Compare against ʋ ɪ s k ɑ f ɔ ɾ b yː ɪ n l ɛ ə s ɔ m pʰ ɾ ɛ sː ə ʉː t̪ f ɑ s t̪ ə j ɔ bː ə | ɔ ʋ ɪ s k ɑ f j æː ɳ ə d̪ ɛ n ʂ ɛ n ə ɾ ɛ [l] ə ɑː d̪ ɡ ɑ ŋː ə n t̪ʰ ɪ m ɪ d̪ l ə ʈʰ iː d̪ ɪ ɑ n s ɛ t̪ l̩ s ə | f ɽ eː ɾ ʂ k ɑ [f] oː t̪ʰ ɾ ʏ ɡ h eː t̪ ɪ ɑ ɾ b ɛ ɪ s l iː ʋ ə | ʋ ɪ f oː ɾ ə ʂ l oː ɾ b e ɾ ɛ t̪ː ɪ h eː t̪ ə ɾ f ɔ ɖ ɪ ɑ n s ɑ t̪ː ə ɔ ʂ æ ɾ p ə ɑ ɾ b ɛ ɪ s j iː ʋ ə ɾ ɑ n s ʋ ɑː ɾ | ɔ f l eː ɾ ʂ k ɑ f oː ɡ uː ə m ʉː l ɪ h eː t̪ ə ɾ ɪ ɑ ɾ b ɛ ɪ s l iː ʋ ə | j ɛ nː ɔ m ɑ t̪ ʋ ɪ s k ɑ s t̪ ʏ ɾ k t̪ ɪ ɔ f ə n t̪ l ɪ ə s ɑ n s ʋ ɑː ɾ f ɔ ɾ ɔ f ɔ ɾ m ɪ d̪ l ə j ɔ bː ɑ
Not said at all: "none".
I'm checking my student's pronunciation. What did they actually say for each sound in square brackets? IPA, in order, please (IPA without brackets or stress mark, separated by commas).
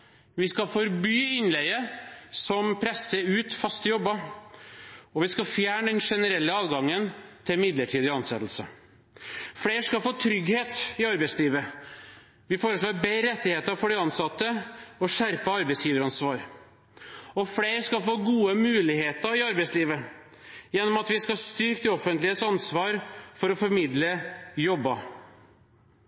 lː, f